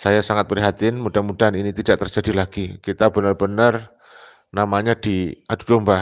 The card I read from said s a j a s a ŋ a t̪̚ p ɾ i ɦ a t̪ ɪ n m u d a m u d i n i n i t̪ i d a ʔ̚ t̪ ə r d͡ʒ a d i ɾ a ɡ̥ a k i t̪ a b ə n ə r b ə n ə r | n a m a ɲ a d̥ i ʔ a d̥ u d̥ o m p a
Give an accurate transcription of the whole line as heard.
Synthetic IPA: s a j a s a ŋ a t̪̚ p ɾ i ɦ a t̪ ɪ n m u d a m u d a n i n i t̪ i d a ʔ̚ t̪ ə r d͡ʒ a d i l a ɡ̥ i k i t̪ a b ə n ə r b ə n ə r | n a m a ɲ a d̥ i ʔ a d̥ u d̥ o m b a